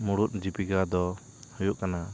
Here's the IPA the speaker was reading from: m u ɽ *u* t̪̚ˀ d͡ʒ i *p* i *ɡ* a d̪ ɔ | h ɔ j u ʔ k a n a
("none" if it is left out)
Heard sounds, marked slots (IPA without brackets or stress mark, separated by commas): u, p, ɡ